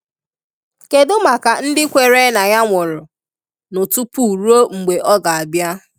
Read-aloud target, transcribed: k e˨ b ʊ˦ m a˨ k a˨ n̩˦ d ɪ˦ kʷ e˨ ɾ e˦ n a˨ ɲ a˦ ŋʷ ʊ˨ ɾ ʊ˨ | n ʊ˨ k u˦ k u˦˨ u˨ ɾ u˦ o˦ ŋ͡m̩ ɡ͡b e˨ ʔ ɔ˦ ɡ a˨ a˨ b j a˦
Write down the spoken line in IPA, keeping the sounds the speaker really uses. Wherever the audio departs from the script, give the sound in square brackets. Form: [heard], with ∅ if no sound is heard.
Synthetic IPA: k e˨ [d] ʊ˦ m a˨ k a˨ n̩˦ d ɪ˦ kʷ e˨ ɾ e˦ n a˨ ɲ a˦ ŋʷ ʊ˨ ɾ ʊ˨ | n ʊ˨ [t] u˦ [p] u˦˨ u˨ ɾ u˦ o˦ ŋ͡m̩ ɡ͡b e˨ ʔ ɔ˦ ɡ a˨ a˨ b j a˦